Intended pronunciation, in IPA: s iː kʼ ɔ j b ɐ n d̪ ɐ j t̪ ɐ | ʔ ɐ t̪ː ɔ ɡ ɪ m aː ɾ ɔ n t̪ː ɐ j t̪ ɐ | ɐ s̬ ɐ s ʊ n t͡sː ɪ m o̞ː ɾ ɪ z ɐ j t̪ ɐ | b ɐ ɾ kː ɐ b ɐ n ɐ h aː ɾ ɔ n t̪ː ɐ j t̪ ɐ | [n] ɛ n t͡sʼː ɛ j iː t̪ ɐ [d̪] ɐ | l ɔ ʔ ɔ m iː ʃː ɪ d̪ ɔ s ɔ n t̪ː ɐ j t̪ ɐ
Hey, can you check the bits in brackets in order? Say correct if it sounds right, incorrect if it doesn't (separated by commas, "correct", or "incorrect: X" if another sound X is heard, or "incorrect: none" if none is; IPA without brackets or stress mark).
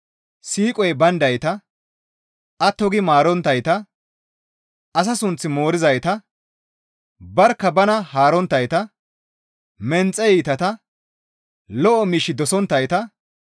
incorrect: m, incorrect: t̪